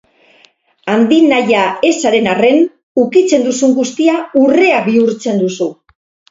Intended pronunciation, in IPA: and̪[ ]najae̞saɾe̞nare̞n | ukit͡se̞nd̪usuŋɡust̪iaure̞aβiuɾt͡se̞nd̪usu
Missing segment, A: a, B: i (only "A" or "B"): B